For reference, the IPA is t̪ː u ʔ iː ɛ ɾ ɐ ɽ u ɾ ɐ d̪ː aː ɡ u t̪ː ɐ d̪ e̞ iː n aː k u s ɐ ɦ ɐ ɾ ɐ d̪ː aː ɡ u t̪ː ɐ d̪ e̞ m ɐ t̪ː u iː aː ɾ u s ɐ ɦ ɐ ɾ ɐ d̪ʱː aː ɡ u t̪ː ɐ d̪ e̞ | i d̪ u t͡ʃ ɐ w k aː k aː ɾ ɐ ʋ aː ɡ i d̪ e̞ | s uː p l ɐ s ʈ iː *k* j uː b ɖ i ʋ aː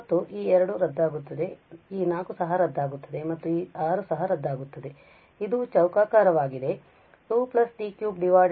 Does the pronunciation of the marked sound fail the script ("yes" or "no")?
no